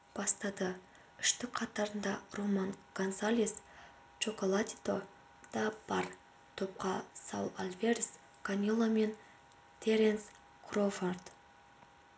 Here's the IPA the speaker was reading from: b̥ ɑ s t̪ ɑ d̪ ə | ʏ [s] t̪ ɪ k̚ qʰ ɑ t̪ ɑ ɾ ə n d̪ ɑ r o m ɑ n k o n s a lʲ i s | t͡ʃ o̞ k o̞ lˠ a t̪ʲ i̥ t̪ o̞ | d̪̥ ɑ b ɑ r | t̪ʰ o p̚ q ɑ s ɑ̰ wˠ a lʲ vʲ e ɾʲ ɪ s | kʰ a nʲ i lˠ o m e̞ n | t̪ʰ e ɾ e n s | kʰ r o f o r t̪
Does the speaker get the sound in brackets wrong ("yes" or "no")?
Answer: yes